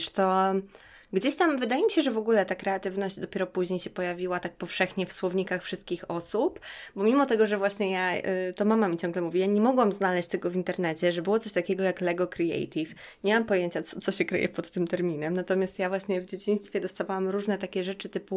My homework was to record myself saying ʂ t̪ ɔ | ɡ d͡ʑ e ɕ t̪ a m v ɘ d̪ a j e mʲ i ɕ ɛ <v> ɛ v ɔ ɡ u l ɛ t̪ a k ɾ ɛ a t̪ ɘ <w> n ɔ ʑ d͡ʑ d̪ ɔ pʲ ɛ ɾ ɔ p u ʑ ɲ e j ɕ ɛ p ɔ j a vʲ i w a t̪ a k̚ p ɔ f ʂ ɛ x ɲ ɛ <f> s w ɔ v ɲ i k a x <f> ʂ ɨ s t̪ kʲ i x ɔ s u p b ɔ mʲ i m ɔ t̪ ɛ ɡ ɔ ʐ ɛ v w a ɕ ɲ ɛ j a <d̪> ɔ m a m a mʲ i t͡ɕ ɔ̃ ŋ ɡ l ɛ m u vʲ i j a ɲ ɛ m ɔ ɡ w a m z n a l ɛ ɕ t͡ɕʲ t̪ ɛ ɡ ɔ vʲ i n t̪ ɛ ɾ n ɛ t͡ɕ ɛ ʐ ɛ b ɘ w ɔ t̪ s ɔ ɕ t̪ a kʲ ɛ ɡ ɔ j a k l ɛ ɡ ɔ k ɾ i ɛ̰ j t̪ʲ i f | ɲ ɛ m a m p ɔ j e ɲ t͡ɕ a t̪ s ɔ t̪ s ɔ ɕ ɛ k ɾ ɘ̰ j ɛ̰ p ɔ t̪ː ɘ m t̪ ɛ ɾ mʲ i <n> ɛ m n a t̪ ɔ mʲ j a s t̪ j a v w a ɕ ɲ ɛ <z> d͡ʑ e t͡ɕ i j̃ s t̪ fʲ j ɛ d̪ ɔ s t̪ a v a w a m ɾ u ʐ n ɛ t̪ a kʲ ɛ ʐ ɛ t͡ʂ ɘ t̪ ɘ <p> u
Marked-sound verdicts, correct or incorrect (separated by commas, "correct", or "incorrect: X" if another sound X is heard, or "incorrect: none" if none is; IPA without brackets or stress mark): incorrect: ʐ, incorrect: v, correct, correct, incorrect: t̪, correct, incorrect: v, correct